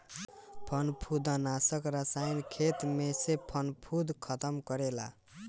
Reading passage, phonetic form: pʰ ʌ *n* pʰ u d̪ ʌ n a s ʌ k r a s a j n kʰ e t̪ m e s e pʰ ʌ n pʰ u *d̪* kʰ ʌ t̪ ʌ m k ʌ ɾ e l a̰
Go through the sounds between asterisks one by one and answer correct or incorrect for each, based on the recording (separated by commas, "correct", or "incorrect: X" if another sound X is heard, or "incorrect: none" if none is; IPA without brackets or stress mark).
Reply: correct, correct